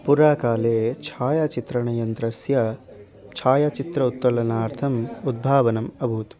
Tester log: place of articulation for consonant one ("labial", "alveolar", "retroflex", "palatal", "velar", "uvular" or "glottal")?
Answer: labial